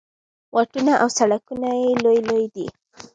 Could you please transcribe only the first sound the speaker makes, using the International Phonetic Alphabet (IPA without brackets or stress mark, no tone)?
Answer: w